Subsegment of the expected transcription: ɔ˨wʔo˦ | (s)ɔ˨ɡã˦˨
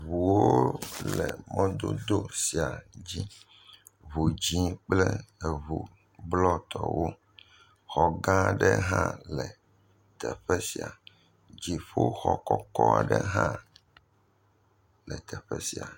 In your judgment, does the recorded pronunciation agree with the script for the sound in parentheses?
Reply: no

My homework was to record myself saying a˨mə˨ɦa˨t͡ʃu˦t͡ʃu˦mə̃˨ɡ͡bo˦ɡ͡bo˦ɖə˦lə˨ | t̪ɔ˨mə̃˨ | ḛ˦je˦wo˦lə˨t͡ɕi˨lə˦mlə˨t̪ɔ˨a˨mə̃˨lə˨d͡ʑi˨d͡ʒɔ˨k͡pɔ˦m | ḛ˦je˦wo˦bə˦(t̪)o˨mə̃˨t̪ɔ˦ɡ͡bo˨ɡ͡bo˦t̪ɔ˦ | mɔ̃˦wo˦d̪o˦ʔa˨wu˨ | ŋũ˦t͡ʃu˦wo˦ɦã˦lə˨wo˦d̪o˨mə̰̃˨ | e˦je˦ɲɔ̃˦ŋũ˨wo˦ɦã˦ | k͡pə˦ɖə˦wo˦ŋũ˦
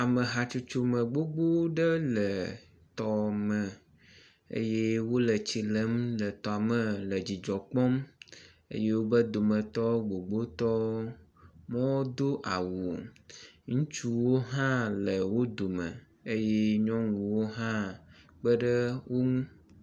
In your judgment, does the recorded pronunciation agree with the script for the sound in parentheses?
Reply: no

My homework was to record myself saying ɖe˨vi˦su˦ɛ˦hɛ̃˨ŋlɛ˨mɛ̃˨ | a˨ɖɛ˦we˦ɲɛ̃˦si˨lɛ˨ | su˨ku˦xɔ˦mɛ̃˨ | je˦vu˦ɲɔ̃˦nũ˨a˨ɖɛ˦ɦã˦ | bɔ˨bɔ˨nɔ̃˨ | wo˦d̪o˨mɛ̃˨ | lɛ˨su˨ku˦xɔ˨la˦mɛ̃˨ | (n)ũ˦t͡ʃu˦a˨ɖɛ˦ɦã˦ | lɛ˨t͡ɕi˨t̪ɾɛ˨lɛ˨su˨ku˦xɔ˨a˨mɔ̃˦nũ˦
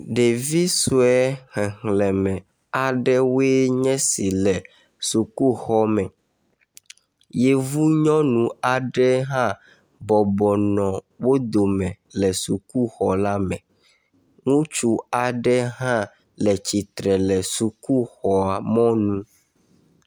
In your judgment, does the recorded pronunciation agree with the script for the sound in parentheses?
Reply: no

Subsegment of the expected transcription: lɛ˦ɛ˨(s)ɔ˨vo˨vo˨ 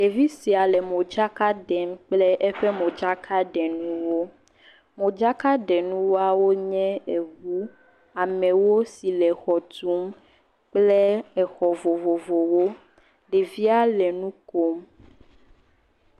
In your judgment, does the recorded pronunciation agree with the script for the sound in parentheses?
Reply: no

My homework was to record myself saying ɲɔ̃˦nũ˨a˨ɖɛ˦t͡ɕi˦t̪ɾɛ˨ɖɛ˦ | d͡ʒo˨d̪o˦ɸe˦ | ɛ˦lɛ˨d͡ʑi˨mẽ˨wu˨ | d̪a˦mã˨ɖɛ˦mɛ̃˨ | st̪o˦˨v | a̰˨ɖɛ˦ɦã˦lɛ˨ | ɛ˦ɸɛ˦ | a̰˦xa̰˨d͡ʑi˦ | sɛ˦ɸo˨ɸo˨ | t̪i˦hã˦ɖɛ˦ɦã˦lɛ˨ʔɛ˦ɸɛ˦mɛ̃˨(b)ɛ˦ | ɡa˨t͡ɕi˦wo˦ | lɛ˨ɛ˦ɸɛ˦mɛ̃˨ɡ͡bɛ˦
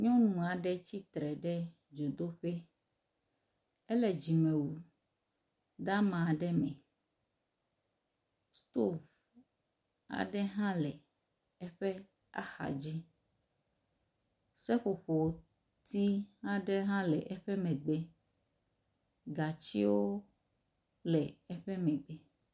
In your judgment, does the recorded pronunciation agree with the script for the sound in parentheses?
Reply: no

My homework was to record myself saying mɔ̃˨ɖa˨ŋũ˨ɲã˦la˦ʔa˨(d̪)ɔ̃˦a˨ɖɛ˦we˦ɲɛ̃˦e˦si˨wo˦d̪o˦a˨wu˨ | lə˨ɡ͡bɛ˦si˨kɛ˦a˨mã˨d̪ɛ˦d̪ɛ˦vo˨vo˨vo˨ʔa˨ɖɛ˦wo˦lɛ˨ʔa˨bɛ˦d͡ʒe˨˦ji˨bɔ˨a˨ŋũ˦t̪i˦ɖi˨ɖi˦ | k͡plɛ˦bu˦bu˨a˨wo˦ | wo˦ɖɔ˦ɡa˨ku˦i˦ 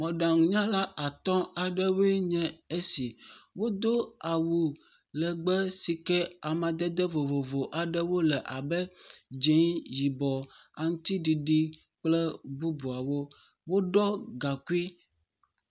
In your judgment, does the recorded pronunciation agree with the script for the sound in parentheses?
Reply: no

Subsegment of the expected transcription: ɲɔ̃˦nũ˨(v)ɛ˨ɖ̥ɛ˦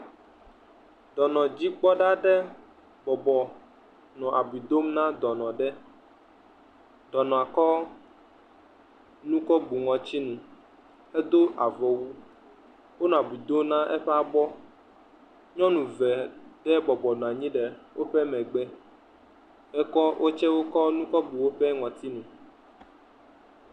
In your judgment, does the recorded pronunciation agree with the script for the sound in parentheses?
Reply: yes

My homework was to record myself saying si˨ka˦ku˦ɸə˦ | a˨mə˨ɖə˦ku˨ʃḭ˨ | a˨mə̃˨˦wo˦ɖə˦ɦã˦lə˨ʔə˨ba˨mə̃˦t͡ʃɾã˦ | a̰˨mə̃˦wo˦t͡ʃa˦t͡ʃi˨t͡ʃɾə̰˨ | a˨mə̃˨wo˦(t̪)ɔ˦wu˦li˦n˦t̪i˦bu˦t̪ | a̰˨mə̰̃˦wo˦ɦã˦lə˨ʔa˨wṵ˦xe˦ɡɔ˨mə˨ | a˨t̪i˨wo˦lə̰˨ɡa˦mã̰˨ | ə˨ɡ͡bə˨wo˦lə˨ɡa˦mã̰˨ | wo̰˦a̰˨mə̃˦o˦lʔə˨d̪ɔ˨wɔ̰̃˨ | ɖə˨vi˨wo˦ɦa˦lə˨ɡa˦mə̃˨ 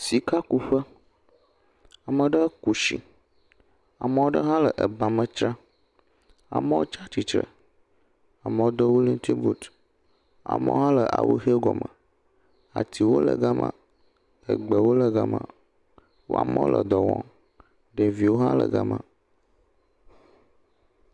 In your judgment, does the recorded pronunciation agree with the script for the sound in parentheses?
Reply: no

